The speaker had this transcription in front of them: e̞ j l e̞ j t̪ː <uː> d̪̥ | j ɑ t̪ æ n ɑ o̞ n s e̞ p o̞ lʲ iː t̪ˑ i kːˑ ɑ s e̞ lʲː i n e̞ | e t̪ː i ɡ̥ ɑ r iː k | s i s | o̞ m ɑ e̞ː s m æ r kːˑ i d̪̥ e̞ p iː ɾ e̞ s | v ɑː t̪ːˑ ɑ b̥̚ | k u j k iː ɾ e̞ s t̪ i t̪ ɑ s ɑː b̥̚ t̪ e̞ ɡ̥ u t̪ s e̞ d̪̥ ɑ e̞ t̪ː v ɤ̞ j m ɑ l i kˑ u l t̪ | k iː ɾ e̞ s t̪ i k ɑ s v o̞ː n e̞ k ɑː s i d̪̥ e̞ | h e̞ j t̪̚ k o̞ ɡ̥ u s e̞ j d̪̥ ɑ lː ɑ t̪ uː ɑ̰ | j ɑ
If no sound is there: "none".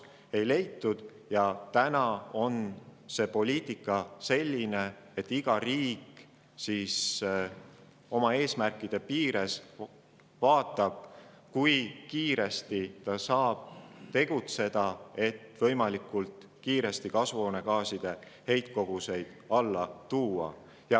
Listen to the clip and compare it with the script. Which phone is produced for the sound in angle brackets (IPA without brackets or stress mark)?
u